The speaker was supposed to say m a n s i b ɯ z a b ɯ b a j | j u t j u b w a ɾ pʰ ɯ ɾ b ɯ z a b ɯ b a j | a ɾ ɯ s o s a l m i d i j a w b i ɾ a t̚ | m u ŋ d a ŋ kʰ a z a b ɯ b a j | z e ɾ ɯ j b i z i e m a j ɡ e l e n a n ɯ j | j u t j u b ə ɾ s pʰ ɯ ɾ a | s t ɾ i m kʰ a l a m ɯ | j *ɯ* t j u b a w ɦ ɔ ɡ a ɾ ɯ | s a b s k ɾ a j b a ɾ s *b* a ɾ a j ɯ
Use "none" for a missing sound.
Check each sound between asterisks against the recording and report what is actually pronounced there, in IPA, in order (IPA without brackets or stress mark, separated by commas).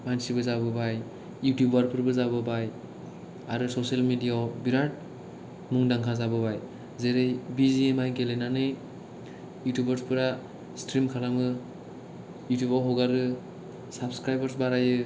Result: u, b